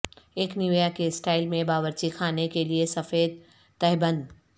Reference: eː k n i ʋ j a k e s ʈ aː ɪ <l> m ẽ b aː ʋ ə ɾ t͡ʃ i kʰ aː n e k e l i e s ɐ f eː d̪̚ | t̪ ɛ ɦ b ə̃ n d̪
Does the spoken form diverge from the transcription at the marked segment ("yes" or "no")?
no